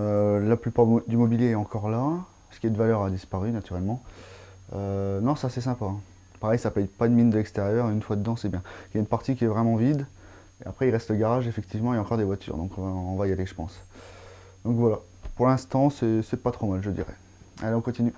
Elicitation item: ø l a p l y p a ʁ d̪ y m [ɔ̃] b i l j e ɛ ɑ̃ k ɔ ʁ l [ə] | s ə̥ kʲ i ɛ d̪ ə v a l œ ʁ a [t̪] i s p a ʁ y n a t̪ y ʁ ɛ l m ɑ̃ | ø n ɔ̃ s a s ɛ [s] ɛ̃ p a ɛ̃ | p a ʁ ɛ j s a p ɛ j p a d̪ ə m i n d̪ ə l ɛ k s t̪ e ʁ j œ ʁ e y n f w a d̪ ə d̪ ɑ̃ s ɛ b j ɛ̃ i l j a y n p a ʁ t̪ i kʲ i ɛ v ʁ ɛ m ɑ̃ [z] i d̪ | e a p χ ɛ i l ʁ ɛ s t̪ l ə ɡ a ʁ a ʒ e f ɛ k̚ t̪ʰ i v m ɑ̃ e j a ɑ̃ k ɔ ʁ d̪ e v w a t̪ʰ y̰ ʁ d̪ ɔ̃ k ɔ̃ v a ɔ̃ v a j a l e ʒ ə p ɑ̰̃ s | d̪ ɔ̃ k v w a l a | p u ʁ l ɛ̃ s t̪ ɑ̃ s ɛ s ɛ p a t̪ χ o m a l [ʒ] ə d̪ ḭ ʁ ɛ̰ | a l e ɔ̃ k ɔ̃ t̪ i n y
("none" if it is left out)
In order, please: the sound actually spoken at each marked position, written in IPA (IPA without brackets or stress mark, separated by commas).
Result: ɔ, a, d̪, s, v, ʒ